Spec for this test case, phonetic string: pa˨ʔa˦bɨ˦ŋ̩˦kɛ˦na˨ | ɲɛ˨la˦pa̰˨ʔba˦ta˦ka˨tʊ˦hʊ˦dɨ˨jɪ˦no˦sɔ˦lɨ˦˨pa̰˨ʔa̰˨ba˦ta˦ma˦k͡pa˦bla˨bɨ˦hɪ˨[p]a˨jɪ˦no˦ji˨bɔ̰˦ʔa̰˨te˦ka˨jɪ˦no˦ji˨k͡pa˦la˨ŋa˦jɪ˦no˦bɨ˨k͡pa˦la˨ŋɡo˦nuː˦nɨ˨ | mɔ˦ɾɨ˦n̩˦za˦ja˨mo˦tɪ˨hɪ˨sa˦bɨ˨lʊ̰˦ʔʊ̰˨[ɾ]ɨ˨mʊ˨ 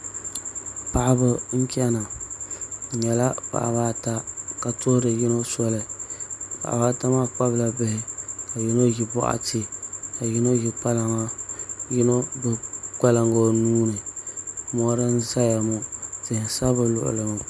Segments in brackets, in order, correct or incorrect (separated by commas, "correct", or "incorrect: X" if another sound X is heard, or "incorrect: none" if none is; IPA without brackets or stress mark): incorrect: k, incorrect: l